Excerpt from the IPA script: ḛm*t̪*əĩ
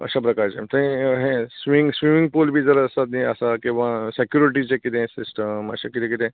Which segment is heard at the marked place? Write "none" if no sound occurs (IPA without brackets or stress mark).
t̪